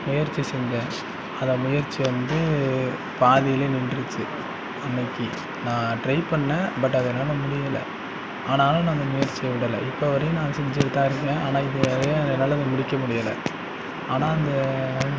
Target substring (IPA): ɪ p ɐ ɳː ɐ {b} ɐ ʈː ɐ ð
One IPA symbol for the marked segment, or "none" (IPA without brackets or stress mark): b